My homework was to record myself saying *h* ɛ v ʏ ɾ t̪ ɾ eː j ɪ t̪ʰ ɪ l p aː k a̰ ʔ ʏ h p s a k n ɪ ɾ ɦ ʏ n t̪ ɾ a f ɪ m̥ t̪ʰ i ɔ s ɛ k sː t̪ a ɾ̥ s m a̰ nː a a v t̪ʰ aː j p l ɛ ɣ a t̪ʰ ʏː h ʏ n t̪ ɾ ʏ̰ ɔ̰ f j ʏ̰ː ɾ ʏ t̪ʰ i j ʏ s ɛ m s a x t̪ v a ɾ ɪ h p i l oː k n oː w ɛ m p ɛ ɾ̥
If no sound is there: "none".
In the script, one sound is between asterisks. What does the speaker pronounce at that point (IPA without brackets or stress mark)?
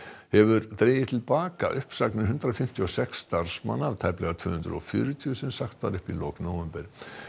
h